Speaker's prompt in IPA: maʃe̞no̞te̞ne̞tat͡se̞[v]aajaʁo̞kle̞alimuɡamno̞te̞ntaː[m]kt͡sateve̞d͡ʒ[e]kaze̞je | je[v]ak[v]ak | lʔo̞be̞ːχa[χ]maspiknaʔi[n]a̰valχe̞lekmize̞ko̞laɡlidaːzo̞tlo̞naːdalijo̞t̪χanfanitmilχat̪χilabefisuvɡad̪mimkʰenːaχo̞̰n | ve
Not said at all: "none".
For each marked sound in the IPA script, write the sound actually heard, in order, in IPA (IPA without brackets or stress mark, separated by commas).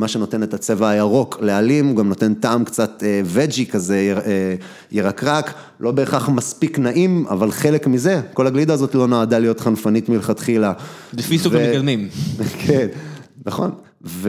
v, m, i, ʁ, ʁ, χ, m